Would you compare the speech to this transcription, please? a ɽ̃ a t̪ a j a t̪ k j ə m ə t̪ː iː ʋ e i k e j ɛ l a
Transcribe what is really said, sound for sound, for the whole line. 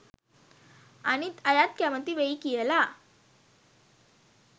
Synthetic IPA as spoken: a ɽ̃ i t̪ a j a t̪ k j a m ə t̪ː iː ʋ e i k i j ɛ l a